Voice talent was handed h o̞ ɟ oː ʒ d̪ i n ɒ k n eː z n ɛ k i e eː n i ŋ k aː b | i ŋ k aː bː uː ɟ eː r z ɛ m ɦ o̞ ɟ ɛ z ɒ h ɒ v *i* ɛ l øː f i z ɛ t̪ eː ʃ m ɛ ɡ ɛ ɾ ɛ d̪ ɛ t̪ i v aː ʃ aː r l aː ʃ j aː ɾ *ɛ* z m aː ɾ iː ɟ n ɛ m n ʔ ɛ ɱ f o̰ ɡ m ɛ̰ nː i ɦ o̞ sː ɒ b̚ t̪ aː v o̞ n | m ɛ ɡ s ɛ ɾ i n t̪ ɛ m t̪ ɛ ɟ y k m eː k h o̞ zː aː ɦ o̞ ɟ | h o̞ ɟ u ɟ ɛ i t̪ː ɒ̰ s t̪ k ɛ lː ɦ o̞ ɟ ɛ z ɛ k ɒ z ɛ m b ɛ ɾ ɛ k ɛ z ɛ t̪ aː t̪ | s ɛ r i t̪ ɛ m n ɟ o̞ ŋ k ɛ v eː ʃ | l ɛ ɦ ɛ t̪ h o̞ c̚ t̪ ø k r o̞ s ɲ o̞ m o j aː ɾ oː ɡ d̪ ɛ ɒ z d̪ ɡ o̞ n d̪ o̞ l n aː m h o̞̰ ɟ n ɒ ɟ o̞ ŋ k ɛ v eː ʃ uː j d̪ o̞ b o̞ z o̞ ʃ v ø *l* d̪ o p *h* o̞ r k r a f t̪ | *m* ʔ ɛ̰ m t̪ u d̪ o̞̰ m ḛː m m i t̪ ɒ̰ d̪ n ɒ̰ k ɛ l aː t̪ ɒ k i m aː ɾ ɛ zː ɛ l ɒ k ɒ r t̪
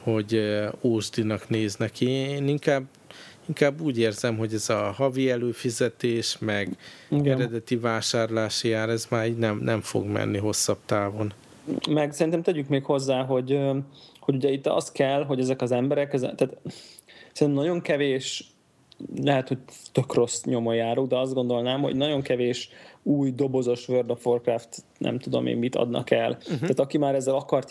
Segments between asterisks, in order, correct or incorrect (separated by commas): correct, correct, incorrect, incorrect, incorrect